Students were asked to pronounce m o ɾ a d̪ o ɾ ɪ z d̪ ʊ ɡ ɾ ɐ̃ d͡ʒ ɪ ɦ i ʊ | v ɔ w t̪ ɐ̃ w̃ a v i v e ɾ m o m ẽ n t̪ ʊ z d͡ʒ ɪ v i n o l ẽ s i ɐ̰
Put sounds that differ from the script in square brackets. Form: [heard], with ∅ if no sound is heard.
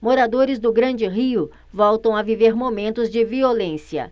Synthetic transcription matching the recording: m o ɾ a d̪ o ɾ ɪ z d̪ ʊ ɡ ɾ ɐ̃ d͡ʒ ɪ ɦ i ʊ | v ɔ w t̪ ɐ̃ w̃ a v i v e ɾ m o m ẽ n t̪ ʊ z d͡ʒ ɪ v i [∅] o l ẽ s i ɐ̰

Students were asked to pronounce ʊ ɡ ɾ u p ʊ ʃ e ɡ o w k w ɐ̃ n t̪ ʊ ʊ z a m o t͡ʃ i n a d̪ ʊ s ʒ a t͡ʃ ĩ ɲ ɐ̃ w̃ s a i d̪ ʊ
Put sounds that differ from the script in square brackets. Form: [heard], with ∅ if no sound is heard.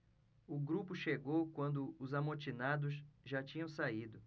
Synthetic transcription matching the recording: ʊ ɡ ɾ u p ʊ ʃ e ɡ o w k w ɐ̃ n [d̪] ʊ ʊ z a m o t͡ʃ i n a d̪ ʊ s ʒ a t͡ʃ ĩ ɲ ɐ̃ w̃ s a i d̪ ʊ

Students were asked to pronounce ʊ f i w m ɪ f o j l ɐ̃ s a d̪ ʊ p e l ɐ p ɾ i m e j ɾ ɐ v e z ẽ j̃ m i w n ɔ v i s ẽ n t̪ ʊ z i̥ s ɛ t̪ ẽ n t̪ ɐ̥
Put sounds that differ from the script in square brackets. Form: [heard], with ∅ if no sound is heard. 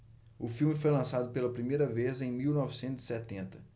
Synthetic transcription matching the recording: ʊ f i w m ɪ f o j l ɐ̃ s a d̪ ʊ p e l ɐ p ɾ i m e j ɾ ɐ v e z ẽ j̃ m i w n ɔ v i s ẽ n t̪ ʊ z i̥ s ɛ t̪ ẽ n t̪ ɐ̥

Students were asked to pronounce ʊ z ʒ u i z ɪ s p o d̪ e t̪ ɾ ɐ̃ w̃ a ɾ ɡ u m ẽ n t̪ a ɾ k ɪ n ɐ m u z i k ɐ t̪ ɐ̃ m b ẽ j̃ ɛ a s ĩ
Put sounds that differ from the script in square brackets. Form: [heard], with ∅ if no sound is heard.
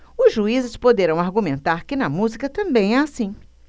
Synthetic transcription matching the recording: ʊ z ʒ u i z ɪ s p o d̪ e [∅] ɾ ɐ̃ w̃ a ɾ ɡ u m ẽ n t̪ a ɾ k ɪ n ɐ m u z i k ɐ t̪ ɐ̃ m b ẽ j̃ ɛ a s ĩ

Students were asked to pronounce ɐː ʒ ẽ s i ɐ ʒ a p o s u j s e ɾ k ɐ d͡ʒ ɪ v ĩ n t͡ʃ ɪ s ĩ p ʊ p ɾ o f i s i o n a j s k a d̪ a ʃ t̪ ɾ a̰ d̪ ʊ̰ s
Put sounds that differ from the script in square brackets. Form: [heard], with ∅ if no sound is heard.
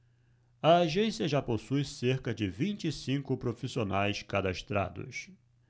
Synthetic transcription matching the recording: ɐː ʒ ẽ s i ɐ ʒ a p o s u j s e ɾ k ɐ d͡ʒ ɪ v ĩ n t͡ʃ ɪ s ĩ [k] ʊ p ɾ o f i s i o n a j s k a d̪ a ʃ t̪ ɾ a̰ d̪ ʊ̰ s

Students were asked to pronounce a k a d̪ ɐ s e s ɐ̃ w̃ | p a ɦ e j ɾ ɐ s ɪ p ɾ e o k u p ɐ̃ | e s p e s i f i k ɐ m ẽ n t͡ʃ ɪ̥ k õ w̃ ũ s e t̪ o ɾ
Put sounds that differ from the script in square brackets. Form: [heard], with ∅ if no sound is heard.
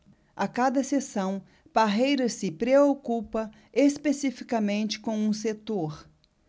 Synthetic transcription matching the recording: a k a d̪ ɐ s e s ɐ̃ w̃ | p a ɦ e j ɾ ɐ s ɪ p ɾ e o k u p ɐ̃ | e s p e s i f i k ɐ m ẽ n t͡ʃ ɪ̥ k õ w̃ ũ s e t̪ o ɾ

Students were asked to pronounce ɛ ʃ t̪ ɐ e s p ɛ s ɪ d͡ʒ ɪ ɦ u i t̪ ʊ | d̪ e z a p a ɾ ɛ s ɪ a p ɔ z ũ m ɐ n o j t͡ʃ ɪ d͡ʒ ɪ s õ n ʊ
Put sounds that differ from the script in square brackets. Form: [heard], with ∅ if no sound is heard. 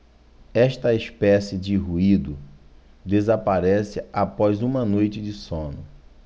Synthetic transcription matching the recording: ɛ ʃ t̪ ɐ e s p ɛ s ɪ d͡ʒ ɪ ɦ u i [d̪] ʊ | d̪ e z a p a ɾ ɛ s ɪ a p ɔ z ũ m ɐ n o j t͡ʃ ɪ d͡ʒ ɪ s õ n ʊ

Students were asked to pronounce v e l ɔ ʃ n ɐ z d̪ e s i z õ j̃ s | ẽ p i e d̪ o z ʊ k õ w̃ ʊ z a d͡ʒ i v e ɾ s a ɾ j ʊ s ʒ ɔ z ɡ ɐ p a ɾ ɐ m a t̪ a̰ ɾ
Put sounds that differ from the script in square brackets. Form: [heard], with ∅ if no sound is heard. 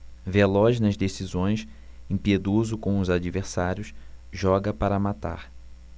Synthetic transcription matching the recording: v e l ɔ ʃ n ɐ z d̪ e s i z õ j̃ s | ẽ p i e d̪ o z ʊ k õ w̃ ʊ z a d͡ʒ i v e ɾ s a ɾ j ʊ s ʒ ɔ [∅] ɡ ɐ p a ɾ ɐ m a t̪ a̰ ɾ

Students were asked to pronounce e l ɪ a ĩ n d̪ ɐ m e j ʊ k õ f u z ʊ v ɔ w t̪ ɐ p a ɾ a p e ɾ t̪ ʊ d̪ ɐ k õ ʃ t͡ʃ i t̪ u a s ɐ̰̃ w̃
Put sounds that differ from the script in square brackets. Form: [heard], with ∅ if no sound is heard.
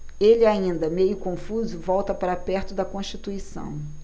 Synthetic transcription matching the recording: e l ɪ a ĩ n d̪ ɐ m e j ʊ k õ f u z ʊ v ɔ w t̪ ɐ p a ɾ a p [ɛ] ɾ t̪ ʊ d̪ ɐ k õ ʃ t͡ʃ i t̪ u [i] s ɐ̰̃ w̃

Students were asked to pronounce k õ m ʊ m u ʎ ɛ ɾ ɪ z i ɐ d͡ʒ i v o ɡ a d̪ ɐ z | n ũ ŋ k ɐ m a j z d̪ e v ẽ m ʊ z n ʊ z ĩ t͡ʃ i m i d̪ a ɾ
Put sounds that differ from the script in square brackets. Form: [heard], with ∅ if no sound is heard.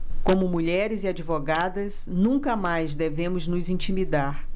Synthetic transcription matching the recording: k õ m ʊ m u ʎ ɛ ɾ ɪ z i [a] d͡ʒ i v o ɡ a d̪ ɐ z | n ũ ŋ k ɐ m a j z d̪ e v ẽ m ʊ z n ʊ z ĩ t͡ʃ i m i d̪ a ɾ

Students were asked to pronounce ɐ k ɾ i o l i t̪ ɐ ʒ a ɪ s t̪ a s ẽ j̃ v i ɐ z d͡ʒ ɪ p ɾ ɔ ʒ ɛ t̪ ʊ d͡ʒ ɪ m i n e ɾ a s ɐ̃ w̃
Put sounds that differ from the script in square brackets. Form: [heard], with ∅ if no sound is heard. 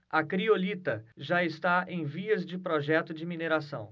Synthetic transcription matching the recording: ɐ k ɾ i o l i t̪ ɐ ʒ a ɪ s t̪ a [∅] ẽ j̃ v i ɐ z d͡ʒ ɪ p ɾ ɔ ʒ ɛ t̪ ʊ d͡ʒ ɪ m i n e ɾ a s ɐ̃ w̃

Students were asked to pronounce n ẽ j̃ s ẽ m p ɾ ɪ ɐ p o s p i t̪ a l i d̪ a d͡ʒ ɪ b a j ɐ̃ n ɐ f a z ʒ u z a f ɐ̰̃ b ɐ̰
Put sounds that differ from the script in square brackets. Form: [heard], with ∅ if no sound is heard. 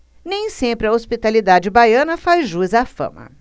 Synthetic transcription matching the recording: n ẽ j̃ s ẽ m p ɾ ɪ ɐ [∅] o s p i t̪ a l i d̪ a d͡ʒ ɪ b a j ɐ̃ n ɐ f a z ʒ u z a f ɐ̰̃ [m] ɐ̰

